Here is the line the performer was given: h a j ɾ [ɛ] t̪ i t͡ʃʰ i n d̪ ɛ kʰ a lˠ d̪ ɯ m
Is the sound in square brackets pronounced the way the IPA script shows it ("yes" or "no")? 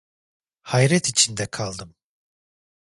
yes